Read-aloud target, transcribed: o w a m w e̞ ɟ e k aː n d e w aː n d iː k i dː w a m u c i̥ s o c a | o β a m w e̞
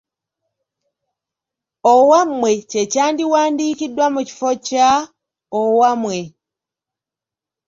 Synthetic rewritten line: o w a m w e̞ c e c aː n d i w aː n d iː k i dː w a m u c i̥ f o c a | o w a m w e̞